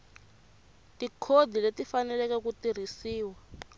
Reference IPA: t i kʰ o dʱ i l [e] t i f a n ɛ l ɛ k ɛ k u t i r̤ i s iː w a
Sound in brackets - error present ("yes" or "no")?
no